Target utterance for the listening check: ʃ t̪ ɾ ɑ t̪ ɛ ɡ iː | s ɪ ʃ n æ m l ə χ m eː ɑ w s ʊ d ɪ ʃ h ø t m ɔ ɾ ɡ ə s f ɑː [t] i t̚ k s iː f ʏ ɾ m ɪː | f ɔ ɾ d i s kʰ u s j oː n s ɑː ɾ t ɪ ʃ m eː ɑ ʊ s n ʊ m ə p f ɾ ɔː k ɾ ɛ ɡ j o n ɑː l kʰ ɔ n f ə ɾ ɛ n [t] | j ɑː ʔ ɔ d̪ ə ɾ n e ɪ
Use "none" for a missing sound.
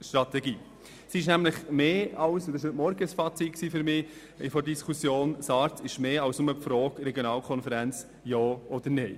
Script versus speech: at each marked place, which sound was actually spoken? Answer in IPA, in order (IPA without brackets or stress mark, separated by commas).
t͡s, t͡s